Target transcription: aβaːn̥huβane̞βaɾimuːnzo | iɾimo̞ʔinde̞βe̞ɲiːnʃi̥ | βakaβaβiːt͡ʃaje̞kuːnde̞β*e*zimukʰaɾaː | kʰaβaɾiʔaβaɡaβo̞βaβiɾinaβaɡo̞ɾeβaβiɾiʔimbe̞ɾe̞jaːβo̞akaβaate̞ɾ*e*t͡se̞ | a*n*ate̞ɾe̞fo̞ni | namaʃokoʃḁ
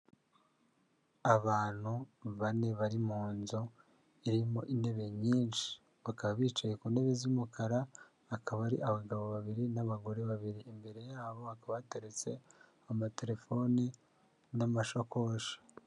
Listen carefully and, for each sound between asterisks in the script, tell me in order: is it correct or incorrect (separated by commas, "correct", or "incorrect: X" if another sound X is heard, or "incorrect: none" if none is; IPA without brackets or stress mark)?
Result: correct, correct, incorrect: m